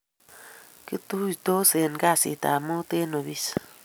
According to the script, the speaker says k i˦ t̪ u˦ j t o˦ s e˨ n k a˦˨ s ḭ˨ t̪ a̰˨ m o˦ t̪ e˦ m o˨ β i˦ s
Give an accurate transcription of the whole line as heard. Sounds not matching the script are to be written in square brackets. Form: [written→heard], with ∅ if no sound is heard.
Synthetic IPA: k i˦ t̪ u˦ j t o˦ s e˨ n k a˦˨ s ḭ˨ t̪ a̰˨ m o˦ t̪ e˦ [m→n] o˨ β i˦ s